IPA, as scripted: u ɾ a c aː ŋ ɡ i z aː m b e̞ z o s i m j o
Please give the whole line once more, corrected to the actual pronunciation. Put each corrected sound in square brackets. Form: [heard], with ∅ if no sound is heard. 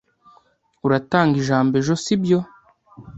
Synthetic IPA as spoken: u ɾ a [t] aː ŋ ɡ i [ʒ] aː m b e̞ [ʒ] o s i [b] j o